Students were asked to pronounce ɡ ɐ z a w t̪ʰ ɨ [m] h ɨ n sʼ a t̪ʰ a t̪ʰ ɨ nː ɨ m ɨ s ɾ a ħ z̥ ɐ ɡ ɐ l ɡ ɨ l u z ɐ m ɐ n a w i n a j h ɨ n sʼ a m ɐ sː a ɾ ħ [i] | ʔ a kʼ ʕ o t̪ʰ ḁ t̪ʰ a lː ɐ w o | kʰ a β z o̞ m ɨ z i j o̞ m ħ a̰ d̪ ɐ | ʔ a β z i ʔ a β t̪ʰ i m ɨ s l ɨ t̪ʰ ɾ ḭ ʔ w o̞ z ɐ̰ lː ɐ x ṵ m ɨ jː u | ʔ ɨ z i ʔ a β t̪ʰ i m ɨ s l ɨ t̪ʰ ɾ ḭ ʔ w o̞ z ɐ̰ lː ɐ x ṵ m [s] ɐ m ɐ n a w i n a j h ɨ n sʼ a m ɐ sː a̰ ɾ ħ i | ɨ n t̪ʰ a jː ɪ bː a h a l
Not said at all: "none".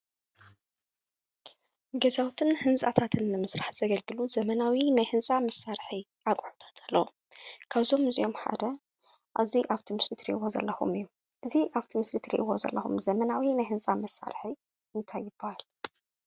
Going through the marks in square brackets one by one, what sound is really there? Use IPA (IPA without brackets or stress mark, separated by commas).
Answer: n, i, z